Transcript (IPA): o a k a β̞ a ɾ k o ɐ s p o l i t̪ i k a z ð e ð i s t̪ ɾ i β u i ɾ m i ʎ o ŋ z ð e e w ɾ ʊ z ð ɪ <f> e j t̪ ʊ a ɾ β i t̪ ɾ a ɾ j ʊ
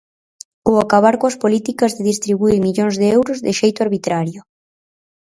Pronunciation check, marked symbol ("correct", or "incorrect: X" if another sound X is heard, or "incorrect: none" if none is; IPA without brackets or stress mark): incorrect: ʃ